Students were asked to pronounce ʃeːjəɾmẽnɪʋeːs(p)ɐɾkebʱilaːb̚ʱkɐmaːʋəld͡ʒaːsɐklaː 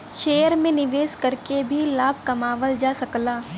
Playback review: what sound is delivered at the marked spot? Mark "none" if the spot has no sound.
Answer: k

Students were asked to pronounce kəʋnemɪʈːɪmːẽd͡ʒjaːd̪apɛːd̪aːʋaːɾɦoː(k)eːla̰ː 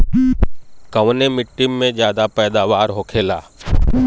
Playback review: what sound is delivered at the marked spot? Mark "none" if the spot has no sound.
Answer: kʰ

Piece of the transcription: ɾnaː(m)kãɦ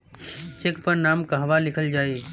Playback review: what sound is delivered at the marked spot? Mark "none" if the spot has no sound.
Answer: m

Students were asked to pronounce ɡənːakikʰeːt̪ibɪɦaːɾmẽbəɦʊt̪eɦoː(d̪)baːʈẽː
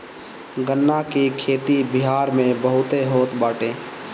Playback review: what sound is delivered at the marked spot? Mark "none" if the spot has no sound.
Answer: t̪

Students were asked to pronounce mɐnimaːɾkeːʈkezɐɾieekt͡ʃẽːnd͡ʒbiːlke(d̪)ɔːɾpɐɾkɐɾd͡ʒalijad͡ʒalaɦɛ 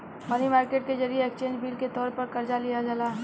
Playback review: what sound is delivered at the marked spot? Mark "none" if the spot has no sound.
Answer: t̪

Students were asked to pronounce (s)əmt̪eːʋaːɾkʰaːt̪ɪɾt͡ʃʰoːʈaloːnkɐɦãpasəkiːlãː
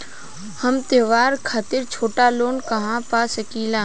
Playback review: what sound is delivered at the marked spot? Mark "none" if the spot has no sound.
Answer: h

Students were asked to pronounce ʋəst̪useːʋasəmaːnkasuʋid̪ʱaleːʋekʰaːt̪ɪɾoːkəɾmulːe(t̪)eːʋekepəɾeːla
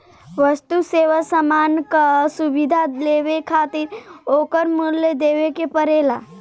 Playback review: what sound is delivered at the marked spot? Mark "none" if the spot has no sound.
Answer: d̪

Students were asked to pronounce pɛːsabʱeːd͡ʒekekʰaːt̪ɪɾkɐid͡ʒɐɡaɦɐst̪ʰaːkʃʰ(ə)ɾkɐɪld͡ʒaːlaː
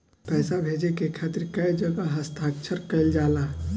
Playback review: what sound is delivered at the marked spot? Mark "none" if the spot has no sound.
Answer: ə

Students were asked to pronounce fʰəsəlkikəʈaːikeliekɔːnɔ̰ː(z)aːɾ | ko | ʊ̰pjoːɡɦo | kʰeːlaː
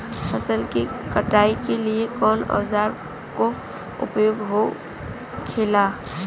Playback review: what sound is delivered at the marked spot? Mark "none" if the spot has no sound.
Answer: z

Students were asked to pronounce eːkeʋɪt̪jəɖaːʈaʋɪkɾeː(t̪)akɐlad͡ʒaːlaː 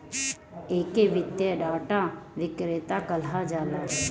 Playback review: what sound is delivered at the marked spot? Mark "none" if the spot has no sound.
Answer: t̪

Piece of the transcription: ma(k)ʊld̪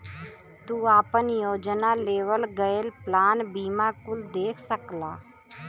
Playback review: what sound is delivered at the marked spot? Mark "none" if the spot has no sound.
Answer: k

